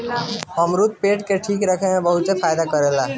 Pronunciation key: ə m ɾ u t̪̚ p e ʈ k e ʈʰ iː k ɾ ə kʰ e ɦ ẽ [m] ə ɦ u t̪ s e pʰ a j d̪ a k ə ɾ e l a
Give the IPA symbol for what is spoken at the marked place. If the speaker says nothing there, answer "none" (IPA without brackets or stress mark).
b